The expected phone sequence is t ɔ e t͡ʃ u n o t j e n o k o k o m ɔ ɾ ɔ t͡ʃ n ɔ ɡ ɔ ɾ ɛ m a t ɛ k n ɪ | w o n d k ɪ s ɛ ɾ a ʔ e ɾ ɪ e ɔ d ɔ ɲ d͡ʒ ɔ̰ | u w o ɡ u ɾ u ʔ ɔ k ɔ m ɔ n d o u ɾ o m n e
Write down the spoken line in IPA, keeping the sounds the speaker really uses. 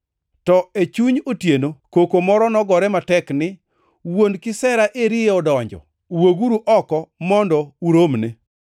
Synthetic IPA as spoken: t ɔ e t͡ʃ u ɲ o t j e n o k o k o m ɔ ɾ ɔ n ɔ ɡ ɔ ɾ ɛ m a t ɛ k n ɪ | w o n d k ɪ s ɛ ɾ a ʔ e ɾ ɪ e ɔ d ɔ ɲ d͡ʒ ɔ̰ | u w o ɡ u ɾ u ʔ ɔ k ɔ m ɔ n d ɔ u ɾ o m n e

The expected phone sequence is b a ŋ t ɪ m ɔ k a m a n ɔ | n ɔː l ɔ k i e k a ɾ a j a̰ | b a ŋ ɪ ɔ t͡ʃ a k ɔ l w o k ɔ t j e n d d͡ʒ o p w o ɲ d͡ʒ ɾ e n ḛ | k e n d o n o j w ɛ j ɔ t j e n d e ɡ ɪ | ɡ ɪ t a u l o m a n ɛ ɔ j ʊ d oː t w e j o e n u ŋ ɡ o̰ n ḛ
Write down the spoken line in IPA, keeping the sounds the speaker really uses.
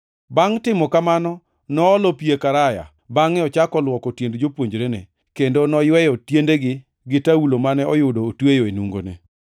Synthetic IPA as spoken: b a ŋ t ɪ m ɔ k a m a n ɔ | n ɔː l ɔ p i e k a ɾ a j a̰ | b a ŋ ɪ ɔ t͡ʃ a k ɔ l w ɔ k ɔ t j e n d d͡ʒ o p w o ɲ d͡ʒ ɾ e n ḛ | k e n d o n ɔ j w ɛ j ɔ t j e n d e ɡ ɪ | ɡ ɪ t a u l o m a n ɛ ɔ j ʊ d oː t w e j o e n u ŋ ɡ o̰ n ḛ

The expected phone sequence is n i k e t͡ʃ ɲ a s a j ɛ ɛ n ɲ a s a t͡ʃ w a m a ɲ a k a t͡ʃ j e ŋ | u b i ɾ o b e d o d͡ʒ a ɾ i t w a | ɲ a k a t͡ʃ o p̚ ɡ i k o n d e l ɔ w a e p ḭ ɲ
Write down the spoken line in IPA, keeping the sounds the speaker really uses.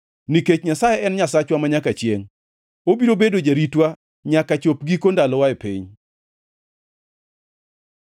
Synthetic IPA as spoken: n i k e t͡ʃ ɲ a s a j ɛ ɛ n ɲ a s a t͡ʃ w a m a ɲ a k a t͡ʃ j e ŋ | o b i ɾ o b e d o d͡ʒ a ɾ i t w a | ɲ a k a t͡ʃ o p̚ ɡ i k o n d a l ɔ w a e p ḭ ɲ

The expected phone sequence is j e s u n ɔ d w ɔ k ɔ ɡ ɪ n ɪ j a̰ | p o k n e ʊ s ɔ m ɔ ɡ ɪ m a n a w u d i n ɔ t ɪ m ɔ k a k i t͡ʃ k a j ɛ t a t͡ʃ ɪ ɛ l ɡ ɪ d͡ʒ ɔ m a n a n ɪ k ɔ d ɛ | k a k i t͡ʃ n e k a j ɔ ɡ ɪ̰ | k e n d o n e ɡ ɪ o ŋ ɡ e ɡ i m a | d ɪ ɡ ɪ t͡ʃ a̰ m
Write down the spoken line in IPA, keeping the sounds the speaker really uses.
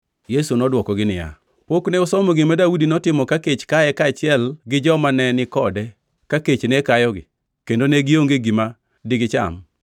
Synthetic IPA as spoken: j e s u n ɔ d w ɔ k ɔ ɡ ɪ n ɪ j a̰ | p o k n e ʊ s ɔ m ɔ ɡ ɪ m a d a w u d i n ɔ t ɪ m ɔ k a k e t͡ʃ k a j ɛ k a t͡ʃ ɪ ɛ l ɡ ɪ d͡ʒ ɔ m a n ɛ n ɪ k ɔ d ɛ | k a k e t͡ʃ n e k a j ɔ ɡ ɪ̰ | k e n d o n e ɡ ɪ o ŋ ɡ e ɡ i m a | d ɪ ɡ ɪ t͡ʃ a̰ m

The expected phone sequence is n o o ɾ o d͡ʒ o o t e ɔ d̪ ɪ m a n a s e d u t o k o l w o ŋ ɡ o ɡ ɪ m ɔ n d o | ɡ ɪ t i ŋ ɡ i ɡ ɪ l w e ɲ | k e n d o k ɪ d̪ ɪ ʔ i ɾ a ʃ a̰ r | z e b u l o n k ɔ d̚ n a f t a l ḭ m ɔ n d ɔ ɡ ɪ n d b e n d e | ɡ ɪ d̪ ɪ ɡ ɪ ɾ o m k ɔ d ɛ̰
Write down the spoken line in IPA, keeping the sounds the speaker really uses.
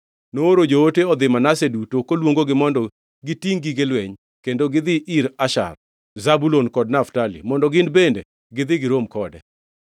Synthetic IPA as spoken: n o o ɾ o d͡ʒ o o t e ɔ d̪ ɪ m a n a s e d u t o k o l w o ŋ ɡ o ɡ ɪ m ɔ n d ɔ | ɡ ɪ t i ŋ ɡ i ɡ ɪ l w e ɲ | k e n d o ɡ ɪ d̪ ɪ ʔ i ɾ a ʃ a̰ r | z a b u l o n k ɔ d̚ n a f t a l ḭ m ɔ n d ɔ ɡ ɪ n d b e n d e | ɡ ɪ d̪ ɪ ɡ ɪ ɾ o m k ɔ d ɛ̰

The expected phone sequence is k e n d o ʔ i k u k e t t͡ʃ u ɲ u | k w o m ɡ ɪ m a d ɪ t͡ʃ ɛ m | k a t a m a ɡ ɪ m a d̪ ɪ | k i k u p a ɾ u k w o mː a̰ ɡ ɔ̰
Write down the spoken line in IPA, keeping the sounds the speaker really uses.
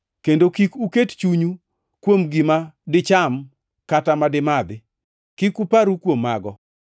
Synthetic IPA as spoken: k e n d o k i k u k e t t͡ʃ u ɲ u | k w o m ɡ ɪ m a d ɪ t͡ʃ a m | k a t a m a d ɪ m a d̪ ɪ | k i k u p a ɾ u k w o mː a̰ ɡ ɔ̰

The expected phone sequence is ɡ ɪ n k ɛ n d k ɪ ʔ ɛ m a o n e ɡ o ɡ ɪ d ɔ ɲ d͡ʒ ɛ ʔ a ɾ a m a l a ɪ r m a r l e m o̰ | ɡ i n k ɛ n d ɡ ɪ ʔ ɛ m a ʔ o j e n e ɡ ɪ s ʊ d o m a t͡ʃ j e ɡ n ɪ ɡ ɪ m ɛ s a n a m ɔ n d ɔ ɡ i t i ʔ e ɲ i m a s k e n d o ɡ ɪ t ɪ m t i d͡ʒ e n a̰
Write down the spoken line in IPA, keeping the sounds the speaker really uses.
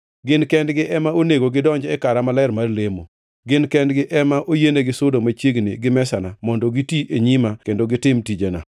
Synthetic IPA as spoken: ɡ ɪ n k ɛ n d ɡ ɪ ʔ ɛ m a o n e ɡ o ɡ ɪ d ɔ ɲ d͡ʒ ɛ k a ɾ a m a l a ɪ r m a r l e m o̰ | ɡ ɪ n k ɛ n d ɡ ɪ ʔ ɛ m a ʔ o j e n e ɡ ɪ s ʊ d o m a t͡ʃ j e ɡ n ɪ ɡ ɪ m ɛ s a n a m ɔ n d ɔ ɡ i t i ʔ e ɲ i m a k e n d o ɡ ɪ t ɪ m t i d͡ʒ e n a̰

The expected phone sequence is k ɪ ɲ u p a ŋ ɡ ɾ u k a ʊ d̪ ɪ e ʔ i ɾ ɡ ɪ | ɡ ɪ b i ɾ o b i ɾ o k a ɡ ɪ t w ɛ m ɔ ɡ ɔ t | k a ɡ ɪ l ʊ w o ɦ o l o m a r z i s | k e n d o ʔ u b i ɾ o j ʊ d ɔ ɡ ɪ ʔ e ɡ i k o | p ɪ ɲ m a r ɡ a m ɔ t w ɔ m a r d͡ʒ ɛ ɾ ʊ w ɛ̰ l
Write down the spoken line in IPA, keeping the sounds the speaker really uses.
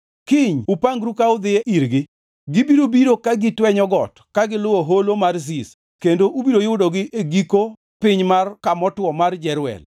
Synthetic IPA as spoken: k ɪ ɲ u p a ŋ ɡ ɾ u k a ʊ d̪ ɪ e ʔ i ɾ ɡ ɪ | ɡ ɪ b i ɾ o b i ɾ o k a ɡ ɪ t w ɛ ɲ ɔ ɡ ɔ t | k a ɡ ɪ l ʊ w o ɦ o l o m a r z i s | k e n d o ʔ u b i ɾ o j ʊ d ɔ ɡ ɪ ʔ e ɡ i k o | p ɪ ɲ m a r k a m ɔ t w ɔ m a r d͡ʒ ɛ ɾ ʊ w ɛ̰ l

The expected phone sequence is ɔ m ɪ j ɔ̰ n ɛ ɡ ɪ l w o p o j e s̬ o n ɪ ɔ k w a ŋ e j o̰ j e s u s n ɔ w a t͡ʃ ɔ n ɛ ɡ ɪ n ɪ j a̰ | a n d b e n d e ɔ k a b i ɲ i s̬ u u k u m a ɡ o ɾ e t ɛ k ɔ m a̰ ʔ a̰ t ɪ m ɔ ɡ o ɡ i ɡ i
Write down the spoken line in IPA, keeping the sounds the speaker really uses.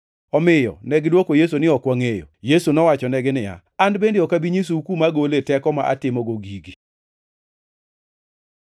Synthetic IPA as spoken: ɔ m ɪ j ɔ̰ n ɛ ɡ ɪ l w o k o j e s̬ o n ɪ ɔ k w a ŋ e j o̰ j e s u n ɔ w a t͡ʃ ɔ n ɛ ɡ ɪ n ɪ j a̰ | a n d b e n d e ɔ k a b i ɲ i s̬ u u k u m a ɡ o l e t ɛ k ɔ m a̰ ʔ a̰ t ɪ m ɔ ɡ o ɡ i ɡ i

